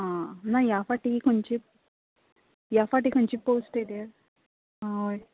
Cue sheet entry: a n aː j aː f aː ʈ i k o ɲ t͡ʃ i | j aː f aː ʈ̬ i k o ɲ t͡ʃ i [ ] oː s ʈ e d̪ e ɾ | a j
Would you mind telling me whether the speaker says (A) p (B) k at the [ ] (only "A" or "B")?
A